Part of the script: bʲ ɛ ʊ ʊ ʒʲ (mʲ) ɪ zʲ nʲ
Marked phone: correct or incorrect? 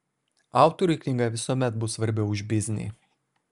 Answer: incorrect